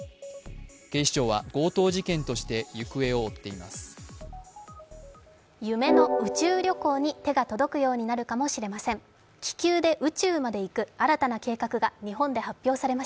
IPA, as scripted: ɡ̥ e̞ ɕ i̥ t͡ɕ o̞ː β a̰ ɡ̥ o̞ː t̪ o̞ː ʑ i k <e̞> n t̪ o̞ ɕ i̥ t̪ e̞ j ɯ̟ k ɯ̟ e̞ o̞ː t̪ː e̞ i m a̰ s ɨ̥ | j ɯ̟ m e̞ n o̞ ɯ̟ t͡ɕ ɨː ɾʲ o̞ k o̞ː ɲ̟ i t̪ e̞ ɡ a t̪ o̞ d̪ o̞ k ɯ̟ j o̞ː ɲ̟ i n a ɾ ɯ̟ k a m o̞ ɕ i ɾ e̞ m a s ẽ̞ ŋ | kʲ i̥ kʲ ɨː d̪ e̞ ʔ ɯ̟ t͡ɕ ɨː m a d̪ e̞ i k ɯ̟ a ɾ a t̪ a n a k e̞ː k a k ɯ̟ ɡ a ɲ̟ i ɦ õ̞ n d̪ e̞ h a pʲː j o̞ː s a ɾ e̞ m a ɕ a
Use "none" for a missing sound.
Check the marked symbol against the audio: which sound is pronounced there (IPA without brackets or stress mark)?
ẽ̞